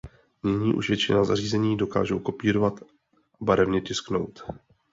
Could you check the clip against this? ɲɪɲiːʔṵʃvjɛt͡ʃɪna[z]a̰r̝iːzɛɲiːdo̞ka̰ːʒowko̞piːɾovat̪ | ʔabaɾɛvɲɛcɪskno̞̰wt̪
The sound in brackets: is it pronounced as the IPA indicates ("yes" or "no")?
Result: yes